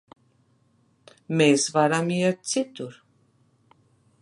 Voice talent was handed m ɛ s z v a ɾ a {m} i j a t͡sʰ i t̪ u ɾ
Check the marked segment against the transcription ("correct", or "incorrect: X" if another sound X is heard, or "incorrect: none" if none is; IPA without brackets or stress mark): correct